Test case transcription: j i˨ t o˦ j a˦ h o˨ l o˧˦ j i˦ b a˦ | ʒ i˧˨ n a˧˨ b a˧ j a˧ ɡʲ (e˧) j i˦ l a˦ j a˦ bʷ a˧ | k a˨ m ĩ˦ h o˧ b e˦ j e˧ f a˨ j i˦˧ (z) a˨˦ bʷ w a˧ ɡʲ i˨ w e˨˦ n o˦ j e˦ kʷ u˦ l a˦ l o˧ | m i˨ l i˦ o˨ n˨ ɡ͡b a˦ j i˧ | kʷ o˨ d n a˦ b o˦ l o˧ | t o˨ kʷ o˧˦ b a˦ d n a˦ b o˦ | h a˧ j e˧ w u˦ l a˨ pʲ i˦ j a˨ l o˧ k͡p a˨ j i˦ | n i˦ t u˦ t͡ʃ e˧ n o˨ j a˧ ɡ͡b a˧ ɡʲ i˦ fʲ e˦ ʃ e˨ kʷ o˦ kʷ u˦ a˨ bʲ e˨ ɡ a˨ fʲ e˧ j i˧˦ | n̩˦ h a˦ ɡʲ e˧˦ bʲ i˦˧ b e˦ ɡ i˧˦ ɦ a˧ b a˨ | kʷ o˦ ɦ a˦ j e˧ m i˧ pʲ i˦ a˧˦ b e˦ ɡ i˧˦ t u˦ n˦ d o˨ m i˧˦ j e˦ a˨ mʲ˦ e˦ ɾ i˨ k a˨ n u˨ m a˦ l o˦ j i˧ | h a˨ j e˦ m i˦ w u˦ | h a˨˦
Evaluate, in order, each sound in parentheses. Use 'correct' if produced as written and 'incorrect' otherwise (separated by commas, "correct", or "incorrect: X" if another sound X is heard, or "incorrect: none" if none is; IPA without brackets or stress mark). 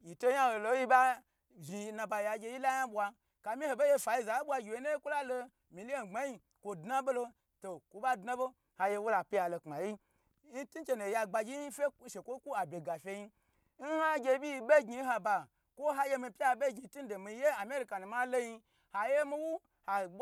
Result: correct, correct